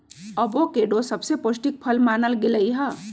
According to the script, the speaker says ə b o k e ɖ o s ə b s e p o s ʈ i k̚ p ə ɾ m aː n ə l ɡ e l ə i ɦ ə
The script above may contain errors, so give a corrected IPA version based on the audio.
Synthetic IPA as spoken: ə b o k e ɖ o s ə b s e p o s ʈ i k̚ pʰ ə l m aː n ə l ɡ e l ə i ɦ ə